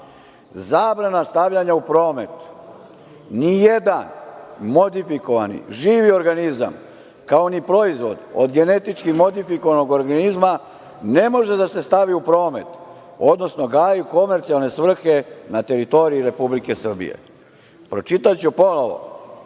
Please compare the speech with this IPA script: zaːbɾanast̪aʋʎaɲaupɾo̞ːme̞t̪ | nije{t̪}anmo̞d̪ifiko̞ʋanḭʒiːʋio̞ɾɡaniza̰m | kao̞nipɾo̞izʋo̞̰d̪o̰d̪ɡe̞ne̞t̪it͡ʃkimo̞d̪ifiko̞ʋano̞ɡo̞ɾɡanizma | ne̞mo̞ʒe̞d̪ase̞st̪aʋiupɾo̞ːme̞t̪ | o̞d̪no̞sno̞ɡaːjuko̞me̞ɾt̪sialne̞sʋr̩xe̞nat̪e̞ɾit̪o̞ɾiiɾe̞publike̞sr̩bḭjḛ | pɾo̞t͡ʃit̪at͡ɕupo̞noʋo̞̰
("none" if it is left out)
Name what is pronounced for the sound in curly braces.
d̪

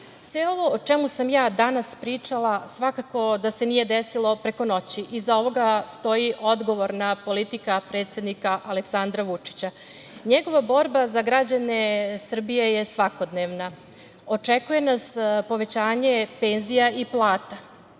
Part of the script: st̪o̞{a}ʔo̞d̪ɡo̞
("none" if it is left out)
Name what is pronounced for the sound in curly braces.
i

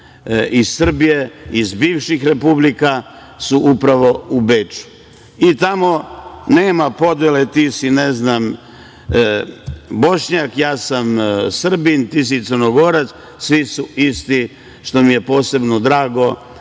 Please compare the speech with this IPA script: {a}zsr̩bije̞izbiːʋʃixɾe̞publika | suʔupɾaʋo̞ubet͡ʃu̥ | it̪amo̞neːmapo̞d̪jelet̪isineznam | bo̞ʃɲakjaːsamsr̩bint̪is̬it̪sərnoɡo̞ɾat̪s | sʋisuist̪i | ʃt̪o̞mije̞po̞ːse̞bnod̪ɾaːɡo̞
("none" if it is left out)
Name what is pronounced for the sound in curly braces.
i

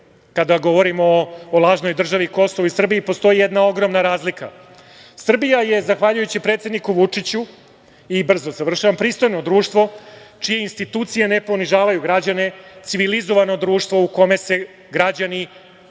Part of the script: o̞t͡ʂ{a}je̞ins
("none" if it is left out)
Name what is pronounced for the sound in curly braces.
i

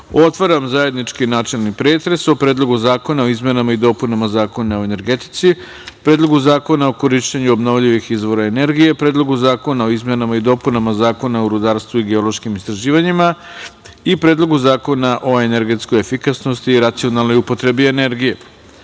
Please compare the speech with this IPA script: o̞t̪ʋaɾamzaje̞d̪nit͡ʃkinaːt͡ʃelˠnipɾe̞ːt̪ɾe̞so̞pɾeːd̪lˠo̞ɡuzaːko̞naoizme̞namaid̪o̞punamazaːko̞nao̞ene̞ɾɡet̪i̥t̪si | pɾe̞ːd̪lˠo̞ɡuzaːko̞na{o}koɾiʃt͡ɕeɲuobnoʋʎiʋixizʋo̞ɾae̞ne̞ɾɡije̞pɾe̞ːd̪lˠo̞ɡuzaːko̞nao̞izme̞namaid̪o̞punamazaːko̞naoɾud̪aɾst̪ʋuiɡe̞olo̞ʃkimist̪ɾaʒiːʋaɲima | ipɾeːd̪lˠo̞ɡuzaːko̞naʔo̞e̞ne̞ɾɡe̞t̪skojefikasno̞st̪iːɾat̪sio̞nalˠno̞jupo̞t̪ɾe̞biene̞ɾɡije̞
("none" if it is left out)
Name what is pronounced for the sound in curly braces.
o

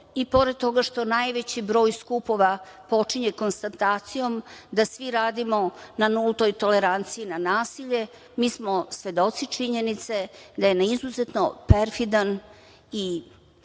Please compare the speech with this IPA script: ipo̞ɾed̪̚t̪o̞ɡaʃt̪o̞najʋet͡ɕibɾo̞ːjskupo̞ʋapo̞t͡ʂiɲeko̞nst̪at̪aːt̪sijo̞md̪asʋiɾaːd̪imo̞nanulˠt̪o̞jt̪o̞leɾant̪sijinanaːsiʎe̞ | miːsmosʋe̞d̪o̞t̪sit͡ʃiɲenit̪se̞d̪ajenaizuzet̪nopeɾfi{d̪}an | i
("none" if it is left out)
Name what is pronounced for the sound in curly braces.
d̪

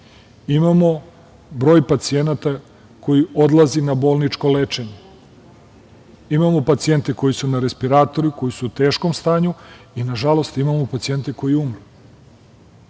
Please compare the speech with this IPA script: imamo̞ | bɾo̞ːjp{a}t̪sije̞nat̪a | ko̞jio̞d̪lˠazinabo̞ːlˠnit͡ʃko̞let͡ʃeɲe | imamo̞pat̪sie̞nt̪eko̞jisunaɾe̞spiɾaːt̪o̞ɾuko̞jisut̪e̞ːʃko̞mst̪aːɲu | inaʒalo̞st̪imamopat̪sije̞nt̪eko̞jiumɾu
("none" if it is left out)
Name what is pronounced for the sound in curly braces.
a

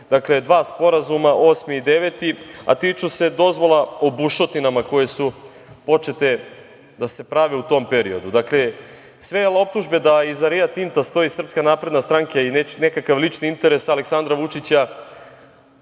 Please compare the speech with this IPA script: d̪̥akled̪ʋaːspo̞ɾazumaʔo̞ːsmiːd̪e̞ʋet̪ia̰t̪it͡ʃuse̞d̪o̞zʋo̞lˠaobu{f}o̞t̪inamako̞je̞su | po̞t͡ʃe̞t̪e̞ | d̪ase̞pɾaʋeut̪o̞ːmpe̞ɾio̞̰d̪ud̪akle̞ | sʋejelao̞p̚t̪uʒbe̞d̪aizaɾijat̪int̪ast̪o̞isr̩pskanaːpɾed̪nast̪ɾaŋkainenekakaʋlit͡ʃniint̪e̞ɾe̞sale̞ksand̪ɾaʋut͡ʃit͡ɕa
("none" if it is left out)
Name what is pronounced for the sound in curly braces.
ʃ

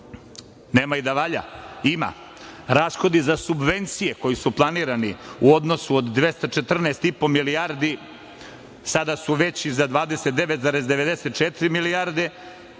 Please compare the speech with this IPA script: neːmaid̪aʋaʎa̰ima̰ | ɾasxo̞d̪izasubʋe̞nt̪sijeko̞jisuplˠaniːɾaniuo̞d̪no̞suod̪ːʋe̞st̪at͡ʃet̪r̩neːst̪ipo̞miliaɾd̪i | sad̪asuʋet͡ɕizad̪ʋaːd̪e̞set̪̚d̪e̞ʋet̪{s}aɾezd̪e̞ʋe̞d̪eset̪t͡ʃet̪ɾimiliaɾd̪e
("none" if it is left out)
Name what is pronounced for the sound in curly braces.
z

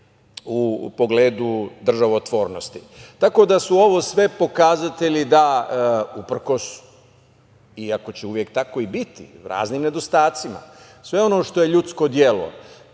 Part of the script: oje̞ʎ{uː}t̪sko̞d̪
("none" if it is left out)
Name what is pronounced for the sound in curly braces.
u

